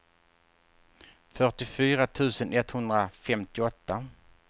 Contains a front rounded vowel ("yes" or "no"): yes